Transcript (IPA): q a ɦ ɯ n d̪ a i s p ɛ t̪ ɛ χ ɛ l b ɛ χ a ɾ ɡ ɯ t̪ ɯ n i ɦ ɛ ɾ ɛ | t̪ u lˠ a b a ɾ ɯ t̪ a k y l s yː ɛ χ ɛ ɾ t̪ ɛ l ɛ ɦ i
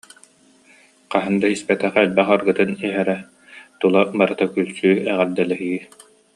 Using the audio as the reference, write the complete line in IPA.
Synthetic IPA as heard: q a ɦ ɯ n d̪ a i s p ɛ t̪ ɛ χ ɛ l b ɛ χ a ɾ ɡ ɯ t̪ ɯ n i ɦ ɛ ɾ ɛ | t̪ u lˠ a b a ɾ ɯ t̪ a k y l s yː ɛ ʁ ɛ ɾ d̪ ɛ l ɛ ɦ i